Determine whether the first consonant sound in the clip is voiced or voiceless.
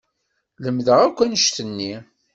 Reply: voiced